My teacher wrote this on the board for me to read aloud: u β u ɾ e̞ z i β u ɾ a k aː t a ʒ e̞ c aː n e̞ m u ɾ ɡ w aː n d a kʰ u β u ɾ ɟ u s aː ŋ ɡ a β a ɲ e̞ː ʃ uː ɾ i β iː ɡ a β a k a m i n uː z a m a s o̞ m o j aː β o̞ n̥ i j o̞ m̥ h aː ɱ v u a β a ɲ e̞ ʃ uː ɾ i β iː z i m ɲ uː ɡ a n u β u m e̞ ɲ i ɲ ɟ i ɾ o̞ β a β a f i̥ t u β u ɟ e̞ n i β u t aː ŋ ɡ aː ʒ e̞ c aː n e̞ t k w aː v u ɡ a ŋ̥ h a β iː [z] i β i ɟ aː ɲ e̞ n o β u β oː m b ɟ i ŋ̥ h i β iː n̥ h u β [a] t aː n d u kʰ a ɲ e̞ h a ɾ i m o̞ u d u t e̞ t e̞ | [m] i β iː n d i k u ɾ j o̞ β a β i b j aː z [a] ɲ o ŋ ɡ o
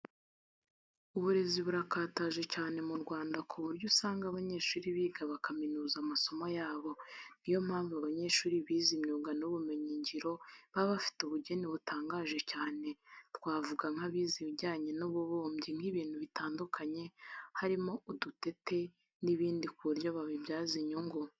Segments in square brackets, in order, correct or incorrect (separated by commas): correct, incorrect, incorrect, incorrect